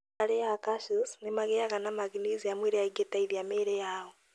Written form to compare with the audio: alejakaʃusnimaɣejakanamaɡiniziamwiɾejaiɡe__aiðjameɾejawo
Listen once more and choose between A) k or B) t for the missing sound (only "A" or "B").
B